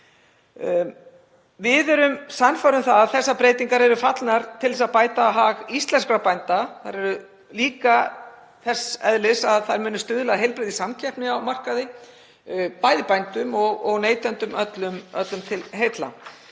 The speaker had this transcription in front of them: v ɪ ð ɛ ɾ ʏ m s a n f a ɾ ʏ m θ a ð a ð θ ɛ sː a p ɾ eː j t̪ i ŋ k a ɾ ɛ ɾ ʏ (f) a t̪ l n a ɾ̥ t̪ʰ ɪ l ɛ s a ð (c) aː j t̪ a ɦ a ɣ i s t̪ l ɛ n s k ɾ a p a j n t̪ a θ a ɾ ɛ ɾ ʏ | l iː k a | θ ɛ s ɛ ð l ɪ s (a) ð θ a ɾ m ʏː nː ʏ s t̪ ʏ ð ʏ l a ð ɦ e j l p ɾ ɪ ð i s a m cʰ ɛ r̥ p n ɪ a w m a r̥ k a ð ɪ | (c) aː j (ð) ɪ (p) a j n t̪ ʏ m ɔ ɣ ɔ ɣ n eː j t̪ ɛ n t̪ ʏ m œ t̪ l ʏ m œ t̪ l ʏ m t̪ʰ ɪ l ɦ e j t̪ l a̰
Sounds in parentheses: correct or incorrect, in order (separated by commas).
correct, incorrect, correct, incorrect, correct, correct